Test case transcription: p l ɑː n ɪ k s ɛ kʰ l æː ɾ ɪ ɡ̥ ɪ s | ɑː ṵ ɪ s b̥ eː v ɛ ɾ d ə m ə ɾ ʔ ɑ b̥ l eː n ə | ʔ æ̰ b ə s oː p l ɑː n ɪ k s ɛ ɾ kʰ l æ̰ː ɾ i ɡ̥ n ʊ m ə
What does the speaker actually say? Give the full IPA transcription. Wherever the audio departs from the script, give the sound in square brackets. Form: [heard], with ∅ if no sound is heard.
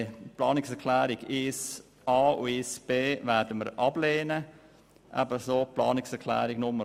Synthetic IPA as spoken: p l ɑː n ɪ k s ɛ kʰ l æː ɾ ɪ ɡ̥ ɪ s | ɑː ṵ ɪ s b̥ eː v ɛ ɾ d ə m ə ɾ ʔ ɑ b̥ l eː n ə | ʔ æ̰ b ə s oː p l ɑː n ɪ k s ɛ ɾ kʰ l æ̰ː ɾ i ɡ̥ n ʊ m ə